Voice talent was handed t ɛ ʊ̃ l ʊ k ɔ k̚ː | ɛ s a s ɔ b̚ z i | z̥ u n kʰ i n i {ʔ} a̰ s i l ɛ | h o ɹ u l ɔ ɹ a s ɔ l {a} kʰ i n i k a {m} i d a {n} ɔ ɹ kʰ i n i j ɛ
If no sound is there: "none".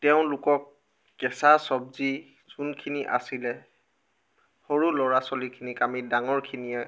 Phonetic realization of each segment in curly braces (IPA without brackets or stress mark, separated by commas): ʔ, i, m, ŋ